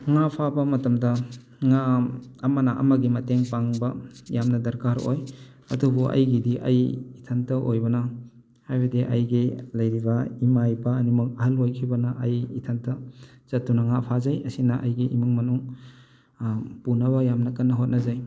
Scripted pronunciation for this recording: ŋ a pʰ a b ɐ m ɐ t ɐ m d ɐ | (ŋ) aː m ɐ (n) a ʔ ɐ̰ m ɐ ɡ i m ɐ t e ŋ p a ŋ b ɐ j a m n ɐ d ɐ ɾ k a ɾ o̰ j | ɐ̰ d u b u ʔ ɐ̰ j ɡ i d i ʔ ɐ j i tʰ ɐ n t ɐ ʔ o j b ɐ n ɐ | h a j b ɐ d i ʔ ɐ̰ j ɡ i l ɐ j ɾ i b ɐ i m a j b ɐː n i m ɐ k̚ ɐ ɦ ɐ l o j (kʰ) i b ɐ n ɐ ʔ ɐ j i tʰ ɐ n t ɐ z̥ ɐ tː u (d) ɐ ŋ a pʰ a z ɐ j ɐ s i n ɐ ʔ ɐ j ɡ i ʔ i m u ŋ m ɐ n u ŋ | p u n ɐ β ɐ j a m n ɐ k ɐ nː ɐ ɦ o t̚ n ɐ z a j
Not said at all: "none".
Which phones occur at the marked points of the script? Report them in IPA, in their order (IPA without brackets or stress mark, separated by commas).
ŋ, n, kʰ, n